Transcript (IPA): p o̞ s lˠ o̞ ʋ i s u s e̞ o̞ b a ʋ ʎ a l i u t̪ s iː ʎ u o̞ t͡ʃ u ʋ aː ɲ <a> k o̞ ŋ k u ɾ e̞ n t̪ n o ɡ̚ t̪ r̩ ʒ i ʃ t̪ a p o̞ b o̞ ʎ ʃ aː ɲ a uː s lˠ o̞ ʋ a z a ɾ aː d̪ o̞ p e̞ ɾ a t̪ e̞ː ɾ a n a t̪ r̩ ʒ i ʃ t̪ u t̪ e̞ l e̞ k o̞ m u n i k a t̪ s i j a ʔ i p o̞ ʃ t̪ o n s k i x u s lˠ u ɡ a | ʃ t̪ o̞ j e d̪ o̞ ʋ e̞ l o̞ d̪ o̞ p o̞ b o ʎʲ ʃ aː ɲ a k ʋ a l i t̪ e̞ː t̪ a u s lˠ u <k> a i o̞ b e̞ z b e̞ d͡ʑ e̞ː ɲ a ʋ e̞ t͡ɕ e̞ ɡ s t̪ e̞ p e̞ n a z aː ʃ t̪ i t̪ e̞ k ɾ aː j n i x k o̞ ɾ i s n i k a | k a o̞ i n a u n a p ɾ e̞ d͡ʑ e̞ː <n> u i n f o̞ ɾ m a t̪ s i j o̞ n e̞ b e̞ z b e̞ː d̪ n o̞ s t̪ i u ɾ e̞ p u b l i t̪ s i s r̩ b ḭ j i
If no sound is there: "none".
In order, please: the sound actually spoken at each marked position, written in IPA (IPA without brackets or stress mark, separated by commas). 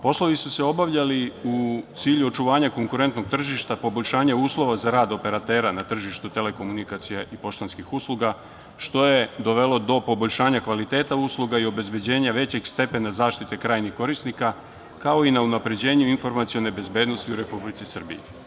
a, ɡ, ɲ